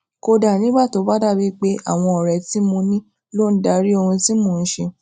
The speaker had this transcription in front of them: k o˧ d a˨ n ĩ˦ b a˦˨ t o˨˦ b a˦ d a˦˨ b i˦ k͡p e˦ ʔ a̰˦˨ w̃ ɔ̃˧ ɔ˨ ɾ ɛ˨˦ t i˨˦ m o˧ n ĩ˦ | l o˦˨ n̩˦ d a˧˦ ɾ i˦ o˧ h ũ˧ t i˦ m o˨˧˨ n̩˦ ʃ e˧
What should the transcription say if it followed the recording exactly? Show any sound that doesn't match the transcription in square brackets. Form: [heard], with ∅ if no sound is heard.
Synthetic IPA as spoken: k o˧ d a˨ n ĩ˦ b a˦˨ t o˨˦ b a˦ d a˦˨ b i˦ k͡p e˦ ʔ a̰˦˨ w̃ ɔ̃˧ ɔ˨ ɾ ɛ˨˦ t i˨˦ m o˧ n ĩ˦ | l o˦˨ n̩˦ d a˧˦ ɾ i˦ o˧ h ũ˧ t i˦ m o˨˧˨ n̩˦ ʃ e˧

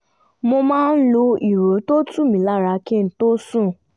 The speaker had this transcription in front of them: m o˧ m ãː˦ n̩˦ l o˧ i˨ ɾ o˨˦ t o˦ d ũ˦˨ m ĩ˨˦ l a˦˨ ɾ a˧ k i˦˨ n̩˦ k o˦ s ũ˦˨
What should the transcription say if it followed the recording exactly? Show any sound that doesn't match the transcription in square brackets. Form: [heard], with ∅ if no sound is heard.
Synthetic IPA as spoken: m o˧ m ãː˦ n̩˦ l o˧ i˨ ɾ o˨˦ t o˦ [t] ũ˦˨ m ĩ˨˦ l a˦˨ ɾ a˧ k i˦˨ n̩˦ [t] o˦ s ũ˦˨

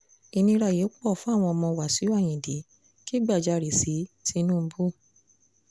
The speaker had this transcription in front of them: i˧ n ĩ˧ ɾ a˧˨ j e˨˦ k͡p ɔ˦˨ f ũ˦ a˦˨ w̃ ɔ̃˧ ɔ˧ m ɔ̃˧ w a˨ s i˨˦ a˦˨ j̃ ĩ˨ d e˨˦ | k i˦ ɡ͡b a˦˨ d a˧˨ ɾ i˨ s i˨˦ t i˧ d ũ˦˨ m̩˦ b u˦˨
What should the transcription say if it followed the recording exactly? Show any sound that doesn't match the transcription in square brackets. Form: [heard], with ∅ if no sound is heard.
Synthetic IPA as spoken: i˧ n ĩ˧ ɾ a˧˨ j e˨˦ k͡p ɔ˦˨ f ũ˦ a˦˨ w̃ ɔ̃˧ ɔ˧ m ɔ̃˧ w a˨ s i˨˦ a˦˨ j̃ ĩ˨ d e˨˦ | k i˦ ɡ͡b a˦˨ [d͡ʒ] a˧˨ ɾ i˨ s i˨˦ t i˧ [n] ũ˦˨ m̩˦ b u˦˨

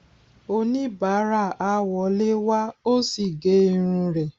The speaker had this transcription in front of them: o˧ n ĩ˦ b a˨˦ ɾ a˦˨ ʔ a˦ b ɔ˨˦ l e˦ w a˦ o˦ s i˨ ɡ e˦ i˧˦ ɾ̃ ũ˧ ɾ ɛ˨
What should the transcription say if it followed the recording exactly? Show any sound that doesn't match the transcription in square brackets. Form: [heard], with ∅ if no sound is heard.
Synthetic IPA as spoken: o˧ n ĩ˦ b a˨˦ ɾ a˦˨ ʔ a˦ [w] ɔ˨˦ l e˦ w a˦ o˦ s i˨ ɡ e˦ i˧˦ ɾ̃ ũ˧ ɾ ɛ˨

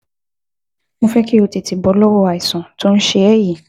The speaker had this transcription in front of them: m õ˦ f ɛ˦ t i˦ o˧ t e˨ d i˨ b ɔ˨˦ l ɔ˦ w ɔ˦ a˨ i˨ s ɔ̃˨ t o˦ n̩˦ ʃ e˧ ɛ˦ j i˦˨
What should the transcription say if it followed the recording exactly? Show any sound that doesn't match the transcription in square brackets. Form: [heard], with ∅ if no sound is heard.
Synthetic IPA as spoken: m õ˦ f ɛ˦ [k] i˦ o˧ t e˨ [t] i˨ b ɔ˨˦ l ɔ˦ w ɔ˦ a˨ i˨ s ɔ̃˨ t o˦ n̩˦ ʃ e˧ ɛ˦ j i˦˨

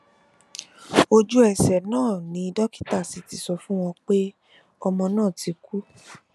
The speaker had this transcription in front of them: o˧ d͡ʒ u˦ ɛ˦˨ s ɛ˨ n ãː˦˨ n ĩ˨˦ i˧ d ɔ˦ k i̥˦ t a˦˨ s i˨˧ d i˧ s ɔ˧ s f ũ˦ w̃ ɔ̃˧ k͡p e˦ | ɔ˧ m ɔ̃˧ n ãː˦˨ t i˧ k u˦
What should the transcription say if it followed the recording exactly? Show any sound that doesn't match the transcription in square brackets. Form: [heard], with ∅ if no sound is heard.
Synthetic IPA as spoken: o˧ d͡ʒ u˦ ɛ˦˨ s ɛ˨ n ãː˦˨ n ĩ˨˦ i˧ d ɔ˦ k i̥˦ t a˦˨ s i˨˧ [t] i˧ s ɔ˧ [∅] f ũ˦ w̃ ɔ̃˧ k͡p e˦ | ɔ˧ m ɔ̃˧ n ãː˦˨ t i˧ k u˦

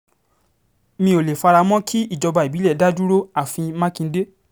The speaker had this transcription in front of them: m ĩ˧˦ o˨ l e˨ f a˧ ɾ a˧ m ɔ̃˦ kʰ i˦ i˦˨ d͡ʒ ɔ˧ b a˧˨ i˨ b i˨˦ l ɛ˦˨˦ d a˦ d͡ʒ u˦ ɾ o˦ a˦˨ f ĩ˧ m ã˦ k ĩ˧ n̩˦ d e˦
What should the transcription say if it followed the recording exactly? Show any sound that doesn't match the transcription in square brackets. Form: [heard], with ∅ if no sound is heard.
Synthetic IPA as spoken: m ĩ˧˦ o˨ l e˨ f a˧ ɾ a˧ m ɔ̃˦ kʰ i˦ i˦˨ d͡ʒ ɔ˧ b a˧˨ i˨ b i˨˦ l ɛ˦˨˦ d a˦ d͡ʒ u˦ ɾ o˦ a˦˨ f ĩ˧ m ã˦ k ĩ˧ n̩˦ d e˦

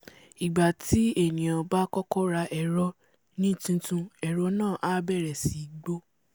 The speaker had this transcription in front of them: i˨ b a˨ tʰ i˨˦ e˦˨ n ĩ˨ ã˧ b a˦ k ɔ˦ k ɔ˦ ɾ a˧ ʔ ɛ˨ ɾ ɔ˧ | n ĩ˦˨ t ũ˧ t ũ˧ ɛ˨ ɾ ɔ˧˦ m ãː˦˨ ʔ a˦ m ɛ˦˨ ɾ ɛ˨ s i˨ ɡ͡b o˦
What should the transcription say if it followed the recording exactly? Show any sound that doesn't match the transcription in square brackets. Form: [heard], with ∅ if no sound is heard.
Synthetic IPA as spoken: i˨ [ɡ͡b] a˨ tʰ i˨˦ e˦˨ n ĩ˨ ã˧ b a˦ k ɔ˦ k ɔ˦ ɾ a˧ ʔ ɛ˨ ɾ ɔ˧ | n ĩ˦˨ t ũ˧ t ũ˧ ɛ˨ ɾ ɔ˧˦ [n] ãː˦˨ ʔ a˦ [b] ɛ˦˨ ɾ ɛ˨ s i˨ ɡ͡b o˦

